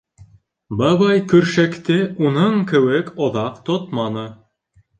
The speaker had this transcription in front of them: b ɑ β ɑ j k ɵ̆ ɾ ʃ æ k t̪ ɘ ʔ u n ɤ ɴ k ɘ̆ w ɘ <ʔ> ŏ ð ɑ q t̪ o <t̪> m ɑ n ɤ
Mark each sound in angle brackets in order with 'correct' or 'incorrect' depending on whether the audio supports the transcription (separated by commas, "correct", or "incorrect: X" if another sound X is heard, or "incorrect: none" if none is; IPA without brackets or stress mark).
incorrect: k, correct